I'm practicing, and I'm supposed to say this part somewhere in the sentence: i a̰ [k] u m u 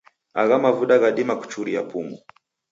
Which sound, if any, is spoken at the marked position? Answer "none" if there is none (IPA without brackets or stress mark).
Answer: p